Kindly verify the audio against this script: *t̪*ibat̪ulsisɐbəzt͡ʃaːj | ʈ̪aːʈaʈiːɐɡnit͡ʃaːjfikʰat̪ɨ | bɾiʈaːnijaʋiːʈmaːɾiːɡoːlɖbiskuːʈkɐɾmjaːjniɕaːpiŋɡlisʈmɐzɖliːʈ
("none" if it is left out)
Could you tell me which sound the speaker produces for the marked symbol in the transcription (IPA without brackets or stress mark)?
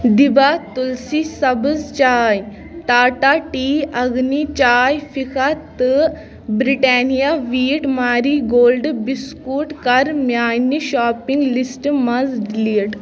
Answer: d̪